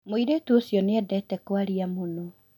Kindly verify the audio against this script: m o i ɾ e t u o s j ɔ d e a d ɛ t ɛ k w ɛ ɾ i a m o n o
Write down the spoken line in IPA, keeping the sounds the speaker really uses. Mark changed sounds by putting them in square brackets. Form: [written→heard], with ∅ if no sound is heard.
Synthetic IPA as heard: m o i ɾ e t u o s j ɔ [d→n] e [a→ɛ] d ɛ t ɛ k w [ɛ→a] ɾ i a m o n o